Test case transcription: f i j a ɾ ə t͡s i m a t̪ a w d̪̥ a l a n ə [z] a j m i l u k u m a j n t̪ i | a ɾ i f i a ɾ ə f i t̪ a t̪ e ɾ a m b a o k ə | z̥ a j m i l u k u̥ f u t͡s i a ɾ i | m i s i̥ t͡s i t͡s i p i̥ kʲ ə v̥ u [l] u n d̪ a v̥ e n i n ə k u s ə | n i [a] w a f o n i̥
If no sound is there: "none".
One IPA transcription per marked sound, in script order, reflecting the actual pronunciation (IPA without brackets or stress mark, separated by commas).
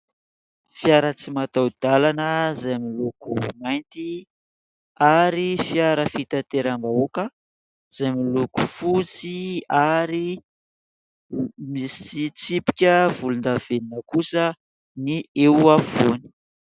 z, l, e